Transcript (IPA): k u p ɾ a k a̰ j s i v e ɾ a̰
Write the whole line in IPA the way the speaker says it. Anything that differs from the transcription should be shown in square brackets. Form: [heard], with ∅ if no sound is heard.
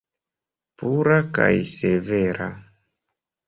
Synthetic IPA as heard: [p] u [∅] ɾ a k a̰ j s [e] v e ɾ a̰